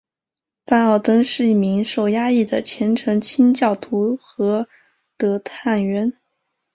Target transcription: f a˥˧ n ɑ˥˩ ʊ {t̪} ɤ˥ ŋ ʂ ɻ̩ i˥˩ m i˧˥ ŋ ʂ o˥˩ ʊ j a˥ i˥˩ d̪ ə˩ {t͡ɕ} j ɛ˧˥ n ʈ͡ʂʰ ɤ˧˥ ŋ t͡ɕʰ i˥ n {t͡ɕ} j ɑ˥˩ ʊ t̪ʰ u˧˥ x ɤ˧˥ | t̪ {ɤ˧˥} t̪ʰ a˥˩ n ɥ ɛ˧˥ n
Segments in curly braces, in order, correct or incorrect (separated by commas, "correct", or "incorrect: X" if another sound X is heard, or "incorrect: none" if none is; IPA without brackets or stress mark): correct, incorrect: t͡ɕʰ, correct, correct